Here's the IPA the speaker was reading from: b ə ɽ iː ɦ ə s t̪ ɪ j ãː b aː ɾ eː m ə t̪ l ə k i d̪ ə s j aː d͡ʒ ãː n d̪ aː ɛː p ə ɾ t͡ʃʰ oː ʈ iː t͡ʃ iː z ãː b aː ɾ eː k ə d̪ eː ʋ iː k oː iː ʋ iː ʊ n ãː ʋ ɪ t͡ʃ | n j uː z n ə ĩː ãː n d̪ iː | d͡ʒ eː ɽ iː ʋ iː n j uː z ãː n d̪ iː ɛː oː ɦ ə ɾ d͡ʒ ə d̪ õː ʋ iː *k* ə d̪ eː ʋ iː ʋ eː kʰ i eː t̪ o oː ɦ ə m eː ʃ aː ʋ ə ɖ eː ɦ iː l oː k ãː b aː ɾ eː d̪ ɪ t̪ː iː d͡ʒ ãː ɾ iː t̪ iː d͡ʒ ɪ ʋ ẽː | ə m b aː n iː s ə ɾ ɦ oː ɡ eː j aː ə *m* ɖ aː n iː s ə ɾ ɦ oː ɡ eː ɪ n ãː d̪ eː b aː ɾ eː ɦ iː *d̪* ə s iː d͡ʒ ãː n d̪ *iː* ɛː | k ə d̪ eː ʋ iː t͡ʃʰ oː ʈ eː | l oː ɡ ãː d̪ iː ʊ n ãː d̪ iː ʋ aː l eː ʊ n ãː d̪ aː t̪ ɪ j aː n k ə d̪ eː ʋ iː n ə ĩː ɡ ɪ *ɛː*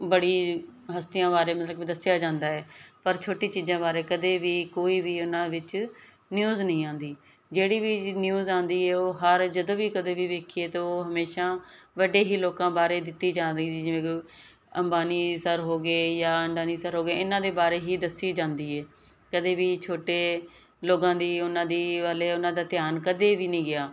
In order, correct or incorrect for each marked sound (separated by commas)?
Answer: correct, incorrect, correct, correct, incorrect